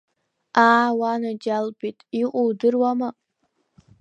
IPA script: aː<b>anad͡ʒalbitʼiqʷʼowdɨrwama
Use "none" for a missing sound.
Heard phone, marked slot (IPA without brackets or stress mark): w